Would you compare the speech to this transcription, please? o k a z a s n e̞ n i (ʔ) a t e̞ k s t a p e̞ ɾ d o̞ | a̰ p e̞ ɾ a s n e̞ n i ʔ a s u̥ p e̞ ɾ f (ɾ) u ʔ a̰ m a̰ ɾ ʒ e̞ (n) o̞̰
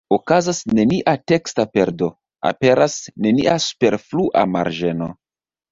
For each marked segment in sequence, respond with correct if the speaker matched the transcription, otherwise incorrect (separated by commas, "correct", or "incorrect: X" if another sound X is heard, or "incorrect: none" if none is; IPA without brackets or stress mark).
correct, incorrect: l, correct